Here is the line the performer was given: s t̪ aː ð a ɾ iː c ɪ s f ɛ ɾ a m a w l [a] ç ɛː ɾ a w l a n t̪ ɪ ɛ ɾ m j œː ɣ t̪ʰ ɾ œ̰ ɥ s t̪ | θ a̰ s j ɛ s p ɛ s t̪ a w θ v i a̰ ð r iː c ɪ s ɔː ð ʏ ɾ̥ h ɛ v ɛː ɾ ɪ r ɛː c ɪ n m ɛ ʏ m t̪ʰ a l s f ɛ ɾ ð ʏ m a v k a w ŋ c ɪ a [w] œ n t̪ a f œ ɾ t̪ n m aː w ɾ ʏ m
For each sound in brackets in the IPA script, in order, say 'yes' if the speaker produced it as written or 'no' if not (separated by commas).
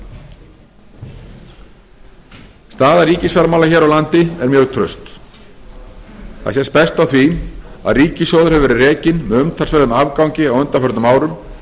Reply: yes, yes